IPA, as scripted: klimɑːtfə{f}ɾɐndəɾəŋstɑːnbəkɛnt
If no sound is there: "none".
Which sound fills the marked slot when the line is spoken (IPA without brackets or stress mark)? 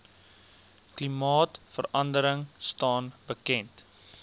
none